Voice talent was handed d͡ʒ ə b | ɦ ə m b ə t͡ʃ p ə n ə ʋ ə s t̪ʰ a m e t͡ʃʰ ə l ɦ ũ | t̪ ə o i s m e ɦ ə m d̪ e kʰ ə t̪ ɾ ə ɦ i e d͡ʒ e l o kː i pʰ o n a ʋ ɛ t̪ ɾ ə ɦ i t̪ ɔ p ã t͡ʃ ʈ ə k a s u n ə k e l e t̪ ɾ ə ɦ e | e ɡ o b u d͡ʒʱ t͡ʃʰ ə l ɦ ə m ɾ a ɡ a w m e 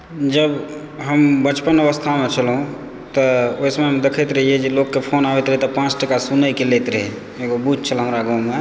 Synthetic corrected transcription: d͡ʒ ə b | ɦ ə m b ə t͡ʃ p ə n ə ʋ ə s t̪ʰ a m e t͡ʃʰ ə l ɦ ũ | t̪ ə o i s m e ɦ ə m d̪ e kʰ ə t̪ ɾ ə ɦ i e d͡ʒ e l o kː e pʰ o n a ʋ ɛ t̪ ɾ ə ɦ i t̪ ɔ p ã t͡ʃ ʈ ə k a s u n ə k e l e t̪ ɾ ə ɦ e | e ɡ o b u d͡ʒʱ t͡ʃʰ ə l ɦ ə m ɾ a ɡ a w m e